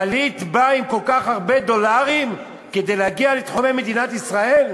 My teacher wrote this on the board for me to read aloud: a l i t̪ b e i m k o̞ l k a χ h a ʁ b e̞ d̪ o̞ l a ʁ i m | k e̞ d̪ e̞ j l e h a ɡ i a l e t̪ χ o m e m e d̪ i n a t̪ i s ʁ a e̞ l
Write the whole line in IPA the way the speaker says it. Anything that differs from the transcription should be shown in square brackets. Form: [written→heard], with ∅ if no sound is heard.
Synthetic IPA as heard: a l i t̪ b [e→a] i m k o̞ l k a χ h a ʁ b e̞ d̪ o̞ l a ʁ i m | k e̞ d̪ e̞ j l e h a ɡ i a l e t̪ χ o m e m e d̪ i n a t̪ i s ʁ a e̞ l